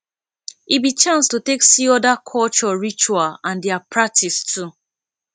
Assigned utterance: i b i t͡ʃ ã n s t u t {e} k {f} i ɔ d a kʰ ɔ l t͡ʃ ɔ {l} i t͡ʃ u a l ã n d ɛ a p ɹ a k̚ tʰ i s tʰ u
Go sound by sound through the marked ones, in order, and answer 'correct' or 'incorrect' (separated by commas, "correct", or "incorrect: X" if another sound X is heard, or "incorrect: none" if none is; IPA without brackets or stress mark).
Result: correct, incorrect: s, incorrect: ɹ